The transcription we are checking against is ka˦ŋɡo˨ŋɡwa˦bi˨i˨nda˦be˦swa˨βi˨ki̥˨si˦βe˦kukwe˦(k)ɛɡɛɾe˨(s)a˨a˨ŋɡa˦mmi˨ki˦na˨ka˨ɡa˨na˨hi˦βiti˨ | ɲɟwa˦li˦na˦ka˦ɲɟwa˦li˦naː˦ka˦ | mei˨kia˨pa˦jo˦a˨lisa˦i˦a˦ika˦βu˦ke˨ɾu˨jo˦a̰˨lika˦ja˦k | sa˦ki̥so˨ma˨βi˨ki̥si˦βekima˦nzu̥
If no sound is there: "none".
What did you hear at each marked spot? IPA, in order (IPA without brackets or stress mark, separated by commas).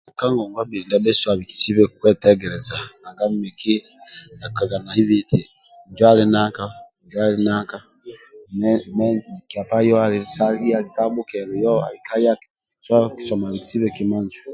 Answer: t, z